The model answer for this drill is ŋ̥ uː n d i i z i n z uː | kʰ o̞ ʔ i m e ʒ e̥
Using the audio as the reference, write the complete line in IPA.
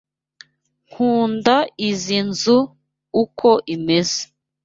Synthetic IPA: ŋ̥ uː n d a i z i n z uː | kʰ o̞ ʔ i m e z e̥